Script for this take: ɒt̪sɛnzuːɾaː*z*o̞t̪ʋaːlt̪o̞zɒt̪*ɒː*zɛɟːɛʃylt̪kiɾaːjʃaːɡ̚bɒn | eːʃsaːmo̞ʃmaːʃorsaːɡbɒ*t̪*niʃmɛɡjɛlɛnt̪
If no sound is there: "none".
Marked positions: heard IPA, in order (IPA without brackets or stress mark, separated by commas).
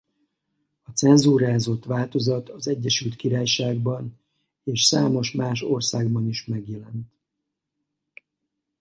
z, ɒ, none